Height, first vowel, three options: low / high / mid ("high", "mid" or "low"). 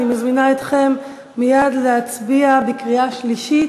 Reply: high